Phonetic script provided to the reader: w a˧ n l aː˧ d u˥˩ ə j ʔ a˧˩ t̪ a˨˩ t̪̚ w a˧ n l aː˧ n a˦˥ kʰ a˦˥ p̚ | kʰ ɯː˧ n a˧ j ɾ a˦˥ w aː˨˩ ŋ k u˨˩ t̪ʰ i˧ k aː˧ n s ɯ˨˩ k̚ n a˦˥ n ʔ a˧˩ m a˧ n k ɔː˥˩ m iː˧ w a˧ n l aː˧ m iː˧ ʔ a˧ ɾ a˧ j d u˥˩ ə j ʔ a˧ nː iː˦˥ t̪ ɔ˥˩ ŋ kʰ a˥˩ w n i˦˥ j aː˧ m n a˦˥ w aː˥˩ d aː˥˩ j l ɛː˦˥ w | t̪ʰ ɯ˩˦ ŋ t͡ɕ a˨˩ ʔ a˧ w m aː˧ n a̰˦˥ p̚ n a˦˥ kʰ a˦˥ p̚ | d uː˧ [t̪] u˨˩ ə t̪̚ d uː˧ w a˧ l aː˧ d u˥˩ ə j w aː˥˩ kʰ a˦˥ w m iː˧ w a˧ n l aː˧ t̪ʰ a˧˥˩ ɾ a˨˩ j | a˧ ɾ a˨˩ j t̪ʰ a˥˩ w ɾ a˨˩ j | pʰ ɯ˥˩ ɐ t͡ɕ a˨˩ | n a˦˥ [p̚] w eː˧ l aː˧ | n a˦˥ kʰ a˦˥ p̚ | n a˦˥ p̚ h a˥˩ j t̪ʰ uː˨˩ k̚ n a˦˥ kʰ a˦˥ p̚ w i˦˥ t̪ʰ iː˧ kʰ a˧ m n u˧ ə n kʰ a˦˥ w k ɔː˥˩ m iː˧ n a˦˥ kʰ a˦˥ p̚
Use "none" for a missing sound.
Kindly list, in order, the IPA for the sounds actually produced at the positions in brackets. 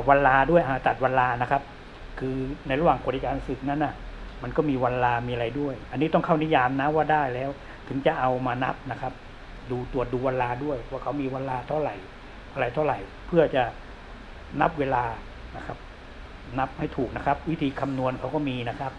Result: t̪, p̚

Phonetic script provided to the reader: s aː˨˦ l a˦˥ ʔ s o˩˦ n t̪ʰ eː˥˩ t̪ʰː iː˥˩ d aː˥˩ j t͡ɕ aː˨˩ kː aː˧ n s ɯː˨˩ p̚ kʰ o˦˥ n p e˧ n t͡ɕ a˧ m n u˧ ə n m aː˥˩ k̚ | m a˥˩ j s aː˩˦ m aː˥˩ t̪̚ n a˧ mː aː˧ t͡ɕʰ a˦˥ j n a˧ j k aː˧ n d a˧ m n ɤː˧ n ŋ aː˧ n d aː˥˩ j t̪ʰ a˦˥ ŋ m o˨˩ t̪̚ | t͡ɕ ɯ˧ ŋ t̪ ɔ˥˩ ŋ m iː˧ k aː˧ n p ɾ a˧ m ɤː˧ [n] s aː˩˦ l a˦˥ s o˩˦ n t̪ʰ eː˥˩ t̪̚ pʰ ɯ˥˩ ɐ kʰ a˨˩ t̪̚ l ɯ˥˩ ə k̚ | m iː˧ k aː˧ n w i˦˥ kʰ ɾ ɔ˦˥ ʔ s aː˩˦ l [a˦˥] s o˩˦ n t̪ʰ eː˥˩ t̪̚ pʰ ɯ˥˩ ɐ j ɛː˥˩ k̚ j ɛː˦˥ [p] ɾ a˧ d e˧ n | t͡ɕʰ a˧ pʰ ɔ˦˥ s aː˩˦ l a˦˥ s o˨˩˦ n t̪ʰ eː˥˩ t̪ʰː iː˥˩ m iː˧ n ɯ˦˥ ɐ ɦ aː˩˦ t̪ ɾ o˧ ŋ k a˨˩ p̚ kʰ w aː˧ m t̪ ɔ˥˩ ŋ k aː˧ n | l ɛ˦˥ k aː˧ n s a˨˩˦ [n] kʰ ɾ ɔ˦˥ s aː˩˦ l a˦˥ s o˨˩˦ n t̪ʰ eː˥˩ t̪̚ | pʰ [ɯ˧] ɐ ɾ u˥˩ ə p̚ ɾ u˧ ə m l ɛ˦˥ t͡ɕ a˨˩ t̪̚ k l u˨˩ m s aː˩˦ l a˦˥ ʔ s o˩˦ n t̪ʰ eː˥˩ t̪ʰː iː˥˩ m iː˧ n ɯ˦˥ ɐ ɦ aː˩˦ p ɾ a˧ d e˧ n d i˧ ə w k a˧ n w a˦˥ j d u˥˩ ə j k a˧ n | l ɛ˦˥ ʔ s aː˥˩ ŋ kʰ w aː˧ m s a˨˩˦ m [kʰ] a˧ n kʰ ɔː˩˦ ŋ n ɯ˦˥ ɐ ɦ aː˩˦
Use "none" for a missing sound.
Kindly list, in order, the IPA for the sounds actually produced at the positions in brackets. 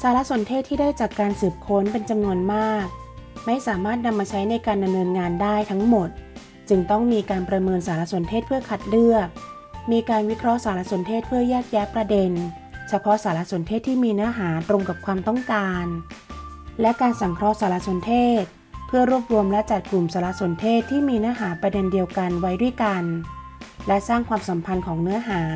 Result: n, a˦˥, p, ŋ, ɯ˥˩, pʰ

